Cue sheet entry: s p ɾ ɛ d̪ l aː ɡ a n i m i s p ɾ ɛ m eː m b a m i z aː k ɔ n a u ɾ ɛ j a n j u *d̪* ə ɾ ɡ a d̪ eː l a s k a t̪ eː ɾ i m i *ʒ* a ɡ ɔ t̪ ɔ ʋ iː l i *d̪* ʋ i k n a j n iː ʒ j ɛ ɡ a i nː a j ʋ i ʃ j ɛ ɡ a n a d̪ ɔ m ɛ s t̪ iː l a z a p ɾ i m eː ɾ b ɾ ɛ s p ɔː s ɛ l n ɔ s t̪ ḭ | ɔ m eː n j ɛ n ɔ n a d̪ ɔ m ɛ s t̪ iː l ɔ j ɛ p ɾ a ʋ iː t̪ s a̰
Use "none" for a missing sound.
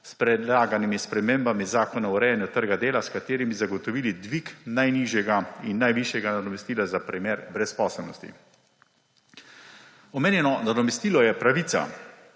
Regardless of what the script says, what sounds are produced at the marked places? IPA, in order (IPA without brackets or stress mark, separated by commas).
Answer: t̪, z, d̪